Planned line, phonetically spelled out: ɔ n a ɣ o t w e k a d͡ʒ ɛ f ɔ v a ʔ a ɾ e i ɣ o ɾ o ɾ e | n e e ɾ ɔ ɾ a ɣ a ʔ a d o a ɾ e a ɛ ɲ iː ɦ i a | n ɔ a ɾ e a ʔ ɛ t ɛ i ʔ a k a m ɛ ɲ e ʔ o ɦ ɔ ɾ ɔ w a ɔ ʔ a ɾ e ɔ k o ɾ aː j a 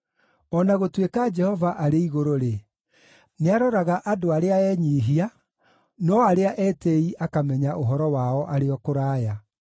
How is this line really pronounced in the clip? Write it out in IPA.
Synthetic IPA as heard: ɔ n a ɣ o t w e k a d͡ʒ ɛ h ɔ v a ʔ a ɾ e i ɣ o ɾ o ɾ e | n e a ɾ ɔ ɾ a ɣ a ʔ a d o a ɾ e a ɛ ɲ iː ɦ i a | n ɔ a ɾ e a ʔ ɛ t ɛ i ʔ a k a m ɛ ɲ a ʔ o ɦ ɔ ɾ ɔ w a ɔ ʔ a ɾ e ɔ k o ɾ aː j a